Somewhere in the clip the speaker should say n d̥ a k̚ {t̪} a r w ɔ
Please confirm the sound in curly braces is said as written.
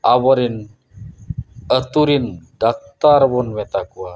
yes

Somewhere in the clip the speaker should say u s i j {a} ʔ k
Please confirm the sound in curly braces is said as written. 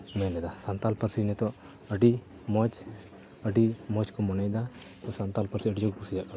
yes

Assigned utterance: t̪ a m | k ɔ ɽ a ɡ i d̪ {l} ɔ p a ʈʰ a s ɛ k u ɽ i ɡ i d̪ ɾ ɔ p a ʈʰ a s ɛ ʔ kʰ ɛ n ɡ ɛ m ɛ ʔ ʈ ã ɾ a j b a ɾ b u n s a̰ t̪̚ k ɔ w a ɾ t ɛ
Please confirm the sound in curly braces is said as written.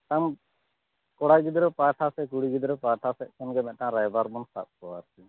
no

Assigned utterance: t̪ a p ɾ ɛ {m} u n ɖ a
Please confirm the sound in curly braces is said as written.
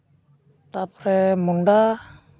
yes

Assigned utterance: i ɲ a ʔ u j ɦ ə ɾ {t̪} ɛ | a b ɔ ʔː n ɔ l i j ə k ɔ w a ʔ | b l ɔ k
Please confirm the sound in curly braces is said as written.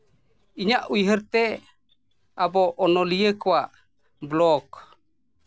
yes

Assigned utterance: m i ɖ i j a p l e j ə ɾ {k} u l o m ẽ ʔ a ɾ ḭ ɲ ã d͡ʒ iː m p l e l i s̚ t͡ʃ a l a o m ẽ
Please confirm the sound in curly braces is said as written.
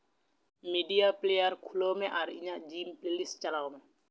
no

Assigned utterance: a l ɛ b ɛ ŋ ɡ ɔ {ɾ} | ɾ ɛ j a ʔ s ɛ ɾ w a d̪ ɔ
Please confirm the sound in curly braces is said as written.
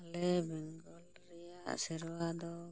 no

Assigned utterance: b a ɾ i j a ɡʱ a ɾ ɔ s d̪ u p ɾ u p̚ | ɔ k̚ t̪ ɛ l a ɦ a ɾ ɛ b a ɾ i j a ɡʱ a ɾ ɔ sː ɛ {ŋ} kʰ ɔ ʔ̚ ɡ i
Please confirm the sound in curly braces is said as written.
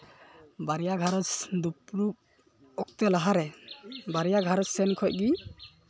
no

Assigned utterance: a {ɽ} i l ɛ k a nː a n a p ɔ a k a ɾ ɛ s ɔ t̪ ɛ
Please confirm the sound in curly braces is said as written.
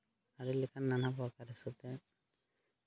no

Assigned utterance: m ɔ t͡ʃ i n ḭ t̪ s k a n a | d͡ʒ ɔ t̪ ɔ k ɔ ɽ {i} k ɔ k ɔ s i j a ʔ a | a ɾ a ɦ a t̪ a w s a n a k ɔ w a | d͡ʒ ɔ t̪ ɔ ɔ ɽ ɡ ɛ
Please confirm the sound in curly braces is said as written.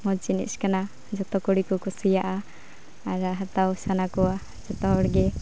yes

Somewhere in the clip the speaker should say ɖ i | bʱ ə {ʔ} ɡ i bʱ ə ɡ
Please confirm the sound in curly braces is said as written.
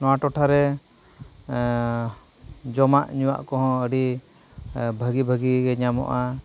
no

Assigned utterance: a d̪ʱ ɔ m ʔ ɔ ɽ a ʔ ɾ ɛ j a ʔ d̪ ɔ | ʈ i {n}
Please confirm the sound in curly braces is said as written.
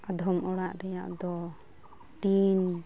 yes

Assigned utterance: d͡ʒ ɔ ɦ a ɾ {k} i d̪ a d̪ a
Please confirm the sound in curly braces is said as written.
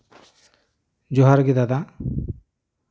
no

